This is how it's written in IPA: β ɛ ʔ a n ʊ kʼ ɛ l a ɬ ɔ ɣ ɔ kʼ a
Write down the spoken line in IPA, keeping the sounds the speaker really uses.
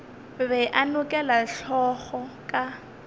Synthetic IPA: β ɛ ʔ a n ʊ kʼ ɛ l a ɬ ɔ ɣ ɔ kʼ a